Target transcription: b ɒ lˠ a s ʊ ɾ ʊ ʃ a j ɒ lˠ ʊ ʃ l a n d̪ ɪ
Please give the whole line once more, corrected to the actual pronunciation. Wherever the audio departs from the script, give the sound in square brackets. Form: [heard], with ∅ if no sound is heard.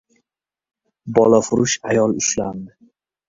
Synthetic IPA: b ɒ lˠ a [f] ʊ ɾ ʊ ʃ a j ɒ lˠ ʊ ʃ l a n d̪ ɪ